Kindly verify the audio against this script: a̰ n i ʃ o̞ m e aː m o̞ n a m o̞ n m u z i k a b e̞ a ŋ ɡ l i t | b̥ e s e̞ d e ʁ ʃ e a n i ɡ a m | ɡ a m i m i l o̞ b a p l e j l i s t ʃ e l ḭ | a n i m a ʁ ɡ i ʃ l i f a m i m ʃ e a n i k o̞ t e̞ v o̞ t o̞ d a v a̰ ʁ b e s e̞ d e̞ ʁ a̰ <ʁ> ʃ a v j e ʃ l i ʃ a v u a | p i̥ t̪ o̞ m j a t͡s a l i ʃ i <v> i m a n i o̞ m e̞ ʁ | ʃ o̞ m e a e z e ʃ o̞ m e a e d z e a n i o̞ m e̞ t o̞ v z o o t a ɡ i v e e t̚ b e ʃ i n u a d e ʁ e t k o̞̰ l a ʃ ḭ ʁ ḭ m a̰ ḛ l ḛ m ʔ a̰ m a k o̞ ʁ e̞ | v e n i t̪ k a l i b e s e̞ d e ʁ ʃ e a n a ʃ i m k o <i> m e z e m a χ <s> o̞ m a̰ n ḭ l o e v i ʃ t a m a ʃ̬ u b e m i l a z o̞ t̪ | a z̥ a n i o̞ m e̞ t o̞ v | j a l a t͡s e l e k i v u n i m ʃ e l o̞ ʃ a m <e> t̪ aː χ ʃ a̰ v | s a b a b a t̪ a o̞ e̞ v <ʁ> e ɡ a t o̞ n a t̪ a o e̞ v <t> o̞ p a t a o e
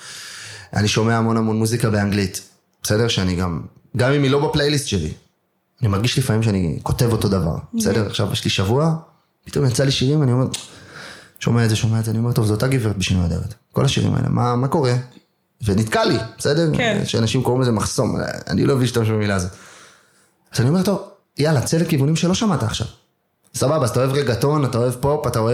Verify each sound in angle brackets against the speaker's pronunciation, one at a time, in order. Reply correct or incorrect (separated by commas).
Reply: incorrect, incorrect, correct, correct, incorrect, correct, incorrect